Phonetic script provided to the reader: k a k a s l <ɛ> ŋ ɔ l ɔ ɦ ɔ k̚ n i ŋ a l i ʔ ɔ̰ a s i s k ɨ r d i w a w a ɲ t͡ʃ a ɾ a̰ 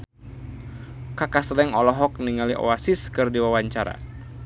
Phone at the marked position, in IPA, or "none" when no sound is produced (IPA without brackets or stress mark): ɛ